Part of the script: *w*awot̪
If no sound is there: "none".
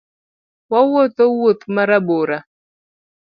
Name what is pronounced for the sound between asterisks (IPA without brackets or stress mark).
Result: w